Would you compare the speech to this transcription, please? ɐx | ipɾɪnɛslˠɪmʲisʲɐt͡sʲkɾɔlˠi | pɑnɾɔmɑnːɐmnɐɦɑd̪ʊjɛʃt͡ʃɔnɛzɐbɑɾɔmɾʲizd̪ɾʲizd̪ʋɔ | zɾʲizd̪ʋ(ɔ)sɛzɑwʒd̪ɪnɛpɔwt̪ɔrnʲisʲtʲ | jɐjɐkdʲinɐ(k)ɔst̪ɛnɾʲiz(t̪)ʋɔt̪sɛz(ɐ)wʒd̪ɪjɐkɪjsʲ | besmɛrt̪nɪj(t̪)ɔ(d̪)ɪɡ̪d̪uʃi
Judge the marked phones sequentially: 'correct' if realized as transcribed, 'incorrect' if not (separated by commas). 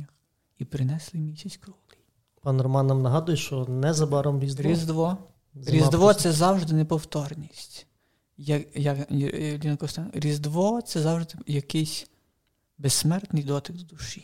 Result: correct, correct, incorrect, incorrect, incorrect, incorrect